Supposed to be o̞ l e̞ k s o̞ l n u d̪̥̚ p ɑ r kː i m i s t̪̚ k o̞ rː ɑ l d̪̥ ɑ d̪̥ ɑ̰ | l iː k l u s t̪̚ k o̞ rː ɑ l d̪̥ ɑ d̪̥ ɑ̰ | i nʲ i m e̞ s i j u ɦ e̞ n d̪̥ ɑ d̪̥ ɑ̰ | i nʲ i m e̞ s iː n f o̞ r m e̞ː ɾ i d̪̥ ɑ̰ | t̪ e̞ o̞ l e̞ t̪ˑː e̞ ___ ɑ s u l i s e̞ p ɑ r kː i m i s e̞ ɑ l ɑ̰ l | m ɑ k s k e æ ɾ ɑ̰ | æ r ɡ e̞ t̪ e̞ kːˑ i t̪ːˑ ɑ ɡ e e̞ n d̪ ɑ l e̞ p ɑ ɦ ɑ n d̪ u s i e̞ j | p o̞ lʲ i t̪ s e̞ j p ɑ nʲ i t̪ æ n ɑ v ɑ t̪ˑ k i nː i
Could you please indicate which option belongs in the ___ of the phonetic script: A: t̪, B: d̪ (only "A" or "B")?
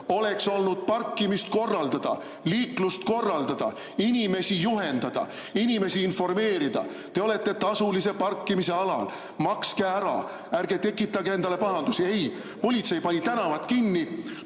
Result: A